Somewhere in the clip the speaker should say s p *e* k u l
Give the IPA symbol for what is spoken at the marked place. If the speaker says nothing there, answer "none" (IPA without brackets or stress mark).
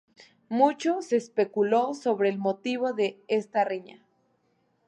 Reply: e